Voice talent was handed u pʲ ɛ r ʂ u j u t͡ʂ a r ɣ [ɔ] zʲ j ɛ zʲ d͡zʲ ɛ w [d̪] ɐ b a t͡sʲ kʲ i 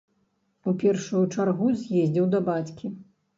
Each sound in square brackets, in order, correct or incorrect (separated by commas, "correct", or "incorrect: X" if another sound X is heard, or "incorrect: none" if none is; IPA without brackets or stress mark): incorrect: u, correct